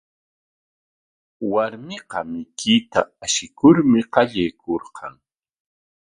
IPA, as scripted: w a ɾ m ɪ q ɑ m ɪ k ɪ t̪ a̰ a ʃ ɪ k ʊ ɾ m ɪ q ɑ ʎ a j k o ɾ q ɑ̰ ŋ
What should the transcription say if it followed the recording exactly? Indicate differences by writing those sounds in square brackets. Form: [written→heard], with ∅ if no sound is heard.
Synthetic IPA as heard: w a ɾ m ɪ q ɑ m ɪ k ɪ t̪ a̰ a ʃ ɪ k ʊ ɾ m ɪ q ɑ ʎ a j k o ɾ q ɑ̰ ŋ